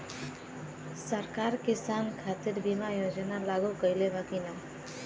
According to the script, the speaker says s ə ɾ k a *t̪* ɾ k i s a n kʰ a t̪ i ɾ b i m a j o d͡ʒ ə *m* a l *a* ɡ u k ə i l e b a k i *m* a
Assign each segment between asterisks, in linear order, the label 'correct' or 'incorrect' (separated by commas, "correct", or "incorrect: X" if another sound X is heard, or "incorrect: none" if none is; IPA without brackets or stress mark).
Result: incorrect: none, incorrect: n, correct, incorrect: n